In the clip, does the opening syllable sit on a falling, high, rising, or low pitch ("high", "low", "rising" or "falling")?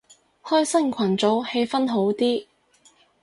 high